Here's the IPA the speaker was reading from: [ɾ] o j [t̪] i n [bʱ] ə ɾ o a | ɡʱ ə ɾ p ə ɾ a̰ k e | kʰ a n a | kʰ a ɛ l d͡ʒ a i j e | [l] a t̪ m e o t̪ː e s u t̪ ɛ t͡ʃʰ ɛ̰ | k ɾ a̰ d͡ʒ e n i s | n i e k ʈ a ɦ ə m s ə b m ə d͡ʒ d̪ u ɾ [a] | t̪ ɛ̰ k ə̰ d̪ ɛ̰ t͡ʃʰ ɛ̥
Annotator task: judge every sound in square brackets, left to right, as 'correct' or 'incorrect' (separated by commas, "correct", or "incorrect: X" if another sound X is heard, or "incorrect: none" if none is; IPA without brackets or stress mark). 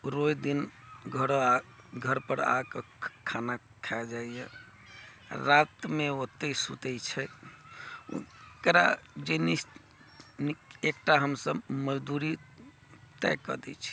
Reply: correct, incorrect: d̪, incorrect: ɡʱ, incorrect: ɾ, incorrect: i